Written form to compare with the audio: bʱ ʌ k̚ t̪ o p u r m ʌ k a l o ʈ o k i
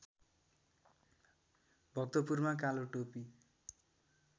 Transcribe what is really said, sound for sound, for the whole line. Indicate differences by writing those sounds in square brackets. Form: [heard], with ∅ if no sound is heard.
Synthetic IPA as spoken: bʱ ʌ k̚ t̪ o p u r m [a] k a l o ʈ o [p] i